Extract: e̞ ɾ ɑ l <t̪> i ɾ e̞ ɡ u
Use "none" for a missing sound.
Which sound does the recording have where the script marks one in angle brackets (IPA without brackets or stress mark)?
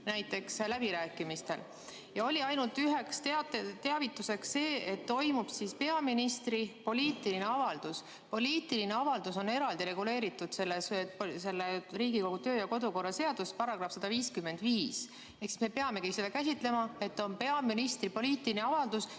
d̪